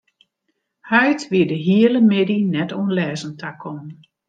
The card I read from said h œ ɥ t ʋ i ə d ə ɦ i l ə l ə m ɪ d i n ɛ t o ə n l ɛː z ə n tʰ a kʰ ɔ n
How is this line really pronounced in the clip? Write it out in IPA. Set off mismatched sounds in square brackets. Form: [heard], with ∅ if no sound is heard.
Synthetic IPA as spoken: h œ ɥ t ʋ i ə d ə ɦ i [∅] ə l ə m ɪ d i n ɛ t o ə n l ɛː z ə n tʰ a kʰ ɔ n